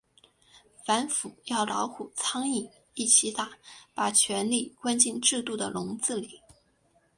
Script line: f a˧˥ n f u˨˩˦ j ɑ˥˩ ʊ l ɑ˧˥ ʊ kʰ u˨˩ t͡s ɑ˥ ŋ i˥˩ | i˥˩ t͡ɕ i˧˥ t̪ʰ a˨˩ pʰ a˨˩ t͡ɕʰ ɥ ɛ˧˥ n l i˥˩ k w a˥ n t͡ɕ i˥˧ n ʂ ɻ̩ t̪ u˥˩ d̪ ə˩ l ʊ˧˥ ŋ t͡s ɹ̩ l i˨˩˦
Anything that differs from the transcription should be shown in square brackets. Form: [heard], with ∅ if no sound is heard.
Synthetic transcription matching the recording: f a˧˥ n f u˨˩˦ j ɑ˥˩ ʊ l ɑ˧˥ ʊ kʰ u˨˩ [t͡sʰ] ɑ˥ ŋ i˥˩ | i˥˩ [t͡ɕʰ] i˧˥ [t̪] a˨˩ [p] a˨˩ t͡ɕʰ ɥ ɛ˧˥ n l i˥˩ k w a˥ n t͡ɕ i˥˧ n [ʈ͡ʂ] ɻ̩ t̪ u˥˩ d̪ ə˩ l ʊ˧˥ ŋ t͡s ɹ̩ l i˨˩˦

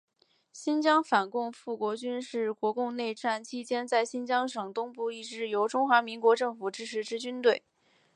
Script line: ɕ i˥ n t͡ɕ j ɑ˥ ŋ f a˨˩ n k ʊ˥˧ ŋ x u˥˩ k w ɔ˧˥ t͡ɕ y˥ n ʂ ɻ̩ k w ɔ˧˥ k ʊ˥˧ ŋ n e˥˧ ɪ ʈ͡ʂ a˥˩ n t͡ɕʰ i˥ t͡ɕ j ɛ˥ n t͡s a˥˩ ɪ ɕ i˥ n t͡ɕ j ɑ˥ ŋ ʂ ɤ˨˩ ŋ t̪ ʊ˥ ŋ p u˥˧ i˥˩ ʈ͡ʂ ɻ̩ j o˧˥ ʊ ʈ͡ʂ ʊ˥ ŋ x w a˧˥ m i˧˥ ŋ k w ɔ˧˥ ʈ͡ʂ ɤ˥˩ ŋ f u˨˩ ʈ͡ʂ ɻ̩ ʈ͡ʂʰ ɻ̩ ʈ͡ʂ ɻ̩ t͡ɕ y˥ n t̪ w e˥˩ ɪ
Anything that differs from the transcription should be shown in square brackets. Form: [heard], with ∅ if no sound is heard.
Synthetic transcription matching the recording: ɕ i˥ n t͡ɕ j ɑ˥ ŋ f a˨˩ n k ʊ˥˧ ŋ [f] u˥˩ k w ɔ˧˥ t͡ɕ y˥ n ʂ ɻ̩ k w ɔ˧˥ k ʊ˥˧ ŋ n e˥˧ ɪ ʈ͡ʂ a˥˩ n t͡ɕʰ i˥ t͡ɕ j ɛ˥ n t͡s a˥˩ ɪ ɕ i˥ n t͡ɕ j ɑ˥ ŋ ʂ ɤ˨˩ ŋ t̪ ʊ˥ ŋ p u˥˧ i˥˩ ʈ͡ʂ ɻ̩ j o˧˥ ʊ ʈ͡ʂ ʊ˥ ŋ x w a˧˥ m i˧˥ ŋ k w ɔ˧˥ ʈ͡ʂ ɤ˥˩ ŋ f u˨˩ ʈ͡ʂ ɻ̩ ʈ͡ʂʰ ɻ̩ ʈ͡ʂ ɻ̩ t͡ɕ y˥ n t̪ w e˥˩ ɪ

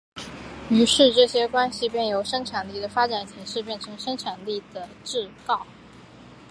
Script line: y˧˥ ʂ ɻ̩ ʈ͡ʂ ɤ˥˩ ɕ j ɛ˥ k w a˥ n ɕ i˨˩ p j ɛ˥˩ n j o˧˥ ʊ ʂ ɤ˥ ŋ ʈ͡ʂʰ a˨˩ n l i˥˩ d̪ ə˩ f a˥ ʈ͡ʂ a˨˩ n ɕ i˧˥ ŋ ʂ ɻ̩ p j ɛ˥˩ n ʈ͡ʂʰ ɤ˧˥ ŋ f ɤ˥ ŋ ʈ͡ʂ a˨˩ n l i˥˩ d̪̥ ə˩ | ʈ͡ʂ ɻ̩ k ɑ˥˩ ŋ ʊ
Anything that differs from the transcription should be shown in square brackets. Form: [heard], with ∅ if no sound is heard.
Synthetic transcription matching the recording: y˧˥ ʂ ɻ̩ ʈ͡ʂ ɤ˥˩ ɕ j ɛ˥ k w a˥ n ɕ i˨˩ p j ɛ˥˩ n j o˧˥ ʊ ʂ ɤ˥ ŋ ʈ͡ʂʰ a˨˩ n l i˥˩ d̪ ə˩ f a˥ ʈ͡ʂ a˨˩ n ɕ i˧˥ ŋ ʂ ɻ̩ p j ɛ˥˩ n ʈ͡ʂʰ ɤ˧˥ ŋ [ʂ] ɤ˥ ŋ [ʈ͡ʂʰ] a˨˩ n l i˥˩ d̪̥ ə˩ | ʈ͡ʂ ɻ̩ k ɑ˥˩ [∅] ʊ

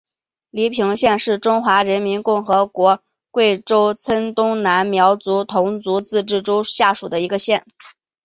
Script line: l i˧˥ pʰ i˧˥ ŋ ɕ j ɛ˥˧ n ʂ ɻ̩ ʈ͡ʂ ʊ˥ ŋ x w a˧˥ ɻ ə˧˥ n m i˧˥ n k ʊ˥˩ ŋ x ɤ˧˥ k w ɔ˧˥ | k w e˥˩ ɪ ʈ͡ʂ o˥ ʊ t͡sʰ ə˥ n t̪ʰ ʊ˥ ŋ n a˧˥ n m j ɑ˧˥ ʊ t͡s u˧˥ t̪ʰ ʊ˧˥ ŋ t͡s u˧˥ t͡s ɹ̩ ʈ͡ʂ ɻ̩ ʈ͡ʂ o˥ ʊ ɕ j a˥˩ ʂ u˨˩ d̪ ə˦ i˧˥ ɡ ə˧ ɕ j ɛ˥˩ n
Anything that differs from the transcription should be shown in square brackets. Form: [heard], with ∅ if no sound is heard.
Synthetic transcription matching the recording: l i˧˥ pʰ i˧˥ ŋ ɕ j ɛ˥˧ n ʂ ɻ̩ ʈ͡ʂ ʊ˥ ŋ x w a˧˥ ɻ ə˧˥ n m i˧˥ n k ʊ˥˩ ŋ x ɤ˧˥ k w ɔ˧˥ | k w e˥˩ ɪ ʈ͡ʂ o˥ ʊ t͡sʰ ə˥ n [t̪] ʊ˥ ŋ n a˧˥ n m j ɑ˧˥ ʊ t͡s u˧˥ t̪ʰ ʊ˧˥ ŋ t͡s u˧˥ t͡s ɹ̩ ʈ͡ʂ ɻ̩ ʈ͡ʂ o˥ ʊ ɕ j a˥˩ ʂ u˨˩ d̪ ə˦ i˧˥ ɡ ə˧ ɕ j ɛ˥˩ n

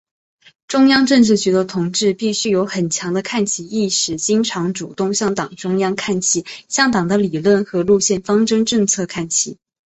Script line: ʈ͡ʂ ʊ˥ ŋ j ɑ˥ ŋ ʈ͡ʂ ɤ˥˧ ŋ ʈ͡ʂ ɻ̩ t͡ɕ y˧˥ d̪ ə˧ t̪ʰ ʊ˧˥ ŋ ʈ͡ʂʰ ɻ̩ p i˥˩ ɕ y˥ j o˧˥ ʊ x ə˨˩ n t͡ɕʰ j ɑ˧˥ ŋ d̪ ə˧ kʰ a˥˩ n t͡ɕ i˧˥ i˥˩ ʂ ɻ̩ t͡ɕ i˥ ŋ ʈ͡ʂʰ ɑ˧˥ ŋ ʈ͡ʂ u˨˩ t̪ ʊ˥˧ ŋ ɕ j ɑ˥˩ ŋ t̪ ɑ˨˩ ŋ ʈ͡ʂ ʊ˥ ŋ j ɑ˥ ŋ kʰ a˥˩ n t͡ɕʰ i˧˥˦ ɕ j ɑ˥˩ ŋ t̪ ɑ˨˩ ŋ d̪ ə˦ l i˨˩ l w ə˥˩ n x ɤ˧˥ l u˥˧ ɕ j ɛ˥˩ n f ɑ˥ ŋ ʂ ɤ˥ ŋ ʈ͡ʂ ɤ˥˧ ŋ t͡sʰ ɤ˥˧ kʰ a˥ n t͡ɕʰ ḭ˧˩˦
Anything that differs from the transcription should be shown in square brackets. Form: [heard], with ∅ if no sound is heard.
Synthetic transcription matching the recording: ʈ͡ʂ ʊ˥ ŋ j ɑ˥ ŋ ʈ͡ʂ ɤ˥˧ ŋ ʈ͡ʂ ɻ̩ t͡ɕ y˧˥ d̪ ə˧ t̪ʰ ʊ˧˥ ŋ [ʈ͡ʂ] ɻ̩ p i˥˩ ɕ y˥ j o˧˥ ʊ x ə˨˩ n t͡ɕʰ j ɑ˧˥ ŋ d̪ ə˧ kʰ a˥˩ n [t͡ɕʰ] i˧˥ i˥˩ ʂ ɻ̩ t͡ɕ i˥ ŋ ʈ͡ʂʰ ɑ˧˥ ŋ ʈ͡ʂ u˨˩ t̪ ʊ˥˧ ŋ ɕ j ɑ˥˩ ŋ t̪ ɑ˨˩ ŋ ʈ͡ʂ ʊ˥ ŋ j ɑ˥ ŋ kʰ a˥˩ n t͡ɕʰ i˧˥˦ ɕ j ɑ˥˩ ŋ t̪ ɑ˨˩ ŋ d̪ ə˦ l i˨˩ l w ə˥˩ n x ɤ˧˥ l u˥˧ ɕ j ɛ˥˩ n f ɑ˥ ŋ [ʈ͡ʂ] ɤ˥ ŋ ʈ͡ʂ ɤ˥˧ ŋ t͡sʰ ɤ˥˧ kʰ [a˥˩] n t͡ɕʰ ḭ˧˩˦

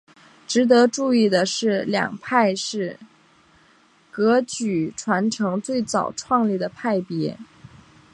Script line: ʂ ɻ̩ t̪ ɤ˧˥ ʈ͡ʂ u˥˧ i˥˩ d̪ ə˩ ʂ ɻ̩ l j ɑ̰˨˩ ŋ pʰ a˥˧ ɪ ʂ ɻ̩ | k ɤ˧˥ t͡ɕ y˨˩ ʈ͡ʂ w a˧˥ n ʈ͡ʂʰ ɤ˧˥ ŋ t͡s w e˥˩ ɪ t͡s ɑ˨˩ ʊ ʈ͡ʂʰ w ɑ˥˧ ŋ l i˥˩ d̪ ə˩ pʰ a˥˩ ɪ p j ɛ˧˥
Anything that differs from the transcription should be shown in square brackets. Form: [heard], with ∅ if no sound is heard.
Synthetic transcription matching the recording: [ʈ͡ʂ] ɻ̩ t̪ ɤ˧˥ ʈ͡ʂ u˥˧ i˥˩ d̪ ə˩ ʂ ɻ̩ l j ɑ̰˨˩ ŋ pʰ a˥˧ ɪ ʂ ɻ̩ | k ɤ˧˥ t͡ɕ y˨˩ [ʈ͡ʂʰ] w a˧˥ n ʈ͡ʂʰ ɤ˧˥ ŋ t͡s w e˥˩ ɪ t͡s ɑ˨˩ ʊ ʈ͡ʂʰ w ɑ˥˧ ŋ l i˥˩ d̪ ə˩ pʰ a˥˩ ɪ p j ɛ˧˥

